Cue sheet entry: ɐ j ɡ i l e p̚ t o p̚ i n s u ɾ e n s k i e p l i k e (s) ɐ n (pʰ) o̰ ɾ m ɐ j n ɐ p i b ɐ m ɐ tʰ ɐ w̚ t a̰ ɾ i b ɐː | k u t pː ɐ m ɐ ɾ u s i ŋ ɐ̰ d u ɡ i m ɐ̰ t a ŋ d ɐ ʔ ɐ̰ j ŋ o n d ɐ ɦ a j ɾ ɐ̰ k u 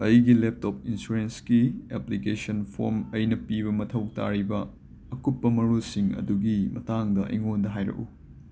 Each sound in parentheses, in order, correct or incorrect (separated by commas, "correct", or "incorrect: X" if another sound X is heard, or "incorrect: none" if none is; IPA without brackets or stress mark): correct, correct